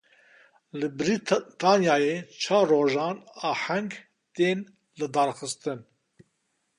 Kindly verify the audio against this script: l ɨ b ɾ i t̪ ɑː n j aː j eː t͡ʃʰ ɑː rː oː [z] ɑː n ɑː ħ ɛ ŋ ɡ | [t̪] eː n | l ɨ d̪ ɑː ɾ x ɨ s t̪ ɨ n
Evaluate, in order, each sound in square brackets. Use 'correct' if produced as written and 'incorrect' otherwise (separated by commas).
incorrect, correct